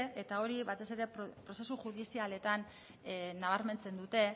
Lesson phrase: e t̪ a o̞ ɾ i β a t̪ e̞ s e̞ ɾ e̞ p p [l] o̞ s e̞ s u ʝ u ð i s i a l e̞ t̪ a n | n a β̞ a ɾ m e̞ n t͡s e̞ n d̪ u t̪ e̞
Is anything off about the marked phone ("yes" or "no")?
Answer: yes